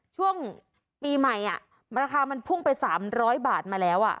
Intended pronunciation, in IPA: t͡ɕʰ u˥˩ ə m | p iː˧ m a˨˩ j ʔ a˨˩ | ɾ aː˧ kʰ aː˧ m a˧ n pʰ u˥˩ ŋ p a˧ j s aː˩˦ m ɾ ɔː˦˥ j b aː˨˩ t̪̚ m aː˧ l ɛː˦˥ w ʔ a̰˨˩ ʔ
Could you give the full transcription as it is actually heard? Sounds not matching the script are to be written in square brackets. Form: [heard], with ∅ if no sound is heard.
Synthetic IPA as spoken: t͡ɕʰ u˥˩ ə [ŋ] | p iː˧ m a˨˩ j ʔ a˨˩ | ɾ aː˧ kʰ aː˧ m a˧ n pʰ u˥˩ ŋ p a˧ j s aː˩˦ m ɾ ɔː˦˥ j b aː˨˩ t̪̚ m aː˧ l ɛː˦˥ w ʔ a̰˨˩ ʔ